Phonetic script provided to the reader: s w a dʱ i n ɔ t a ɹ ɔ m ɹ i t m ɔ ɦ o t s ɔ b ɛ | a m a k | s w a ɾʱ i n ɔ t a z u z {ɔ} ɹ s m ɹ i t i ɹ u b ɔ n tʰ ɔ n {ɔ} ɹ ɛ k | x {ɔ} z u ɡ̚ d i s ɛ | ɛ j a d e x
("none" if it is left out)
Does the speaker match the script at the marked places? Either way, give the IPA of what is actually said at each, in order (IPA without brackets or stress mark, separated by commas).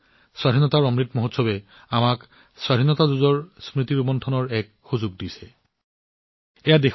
ɔ, ɔ, u